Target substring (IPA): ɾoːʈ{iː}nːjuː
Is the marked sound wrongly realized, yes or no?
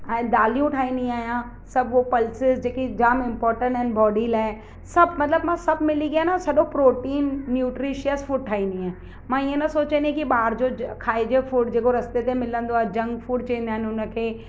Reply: no